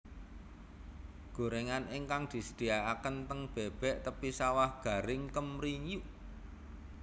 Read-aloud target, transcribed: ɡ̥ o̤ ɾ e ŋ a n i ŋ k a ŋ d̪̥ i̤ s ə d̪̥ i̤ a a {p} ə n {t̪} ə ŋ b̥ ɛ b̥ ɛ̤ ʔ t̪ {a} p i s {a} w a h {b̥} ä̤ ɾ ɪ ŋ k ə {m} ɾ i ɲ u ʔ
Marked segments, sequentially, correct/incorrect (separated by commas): incorrect, correct, incorrect, correct, incorrect, correct